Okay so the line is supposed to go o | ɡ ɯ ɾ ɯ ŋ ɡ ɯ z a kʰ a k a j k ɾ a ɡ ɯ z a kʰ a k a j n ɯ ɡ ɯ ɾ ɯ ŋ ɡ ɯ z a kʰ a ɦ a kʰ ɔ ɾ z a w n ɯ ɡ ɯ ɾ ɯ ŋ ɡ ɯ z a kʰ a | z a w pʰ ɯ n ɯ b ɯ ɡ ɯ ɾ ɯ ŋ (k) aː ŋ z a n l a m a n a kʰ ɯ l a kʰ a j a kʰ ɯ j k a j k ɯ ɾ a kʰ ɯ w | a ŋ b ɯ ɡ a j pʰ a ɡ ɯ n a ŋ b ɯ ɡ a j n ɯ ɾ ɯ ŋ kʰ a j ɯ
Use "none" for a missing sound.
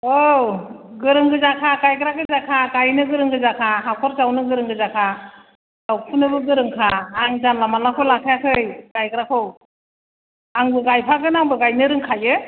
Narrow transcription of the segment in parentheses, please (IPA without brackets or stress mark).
kʰ